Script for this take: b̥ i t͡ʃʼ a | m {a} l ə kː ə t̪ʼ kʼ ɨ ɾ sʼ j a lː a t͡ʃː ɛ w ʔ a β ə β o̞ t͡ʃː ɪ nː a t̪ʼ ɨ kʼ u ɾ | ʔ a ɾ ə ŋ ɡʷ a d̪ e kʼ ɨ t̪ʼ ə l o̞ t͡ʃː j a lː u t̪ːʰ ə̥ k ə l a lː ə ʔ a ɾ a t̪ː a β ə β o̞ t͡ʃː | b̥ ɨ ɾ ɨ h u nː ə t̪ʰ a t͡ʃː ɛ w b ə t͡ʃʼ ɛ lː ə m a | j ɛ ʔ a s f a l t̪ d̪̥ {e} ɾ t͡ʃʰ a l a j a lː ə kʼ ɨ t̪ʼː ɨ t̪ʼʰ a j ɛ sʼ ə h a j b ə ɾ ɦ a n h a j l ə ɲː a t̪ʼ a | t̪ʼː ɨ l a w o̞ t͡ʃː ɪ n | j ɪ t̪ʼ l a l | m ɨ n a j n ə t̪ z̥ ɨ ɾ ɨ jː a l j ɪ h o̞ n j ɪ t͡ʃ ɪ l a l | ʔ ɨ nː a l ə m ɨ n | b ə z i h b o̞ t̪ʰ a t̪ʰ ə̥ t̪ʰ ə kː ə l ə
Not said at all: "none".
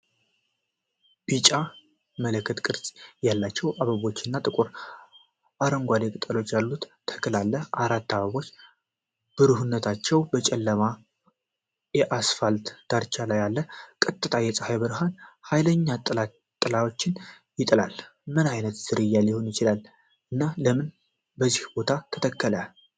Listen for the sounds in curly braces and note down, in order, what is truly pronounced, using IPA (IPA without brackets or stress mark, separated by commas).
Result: ə, a